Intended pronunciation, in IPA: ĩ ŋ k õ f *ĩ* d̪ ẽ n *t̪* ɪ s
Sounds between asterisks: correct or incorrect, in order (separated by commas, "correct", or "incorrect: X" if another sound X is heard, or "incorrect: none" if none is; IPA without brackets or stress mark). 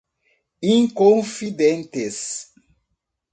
incorrect: i, correct